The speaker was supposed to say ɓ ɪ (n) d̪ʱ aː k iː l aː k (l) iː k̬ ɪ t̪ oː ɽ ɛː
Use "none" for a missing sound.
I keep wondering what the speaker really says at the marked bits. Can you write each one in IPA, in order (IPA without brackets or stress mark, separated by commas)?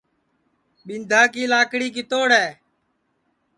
n, ɽ